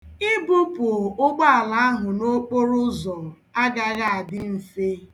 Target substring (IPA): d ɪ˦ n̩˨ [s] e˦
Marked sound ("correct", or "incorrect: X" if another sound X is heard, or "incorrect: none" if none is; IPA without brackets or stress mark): correct